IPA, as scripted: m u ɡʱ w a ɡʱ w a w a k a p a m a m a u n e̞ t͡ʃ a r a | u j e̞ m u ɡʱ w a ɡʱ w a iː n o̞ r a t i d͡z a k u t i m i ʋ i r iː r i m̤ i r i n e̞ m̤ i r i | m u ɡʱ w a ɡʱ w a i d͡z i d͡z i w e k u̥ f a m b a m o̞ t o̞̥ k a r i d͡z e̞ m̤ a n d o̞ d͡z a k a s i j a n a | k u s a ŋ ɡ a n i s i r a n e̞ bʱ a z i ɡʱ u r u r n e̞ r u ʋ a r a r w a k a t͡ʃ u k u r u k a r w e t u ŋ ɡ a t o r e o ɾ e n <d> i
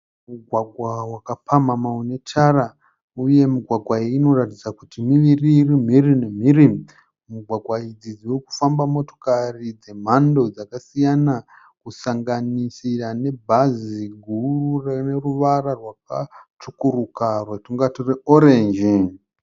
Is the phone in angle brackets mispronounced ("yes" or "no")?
yes